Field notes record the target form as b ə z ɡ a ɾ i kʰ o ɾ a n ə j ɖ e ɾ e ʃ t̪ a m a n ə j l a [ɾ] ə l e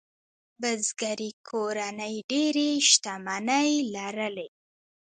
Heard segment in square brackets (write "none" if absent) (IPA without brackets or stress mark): ɾ